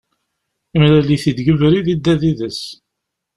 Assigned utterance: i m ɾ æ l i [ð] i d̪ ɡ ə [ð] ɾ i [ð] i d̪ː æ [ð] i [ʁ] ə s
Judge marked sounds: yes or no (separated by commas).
no, no, yes, yes, no